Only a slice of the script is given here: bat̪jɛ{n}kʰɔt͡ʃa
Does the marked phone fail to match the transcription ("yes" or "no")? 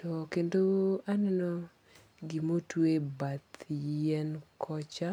no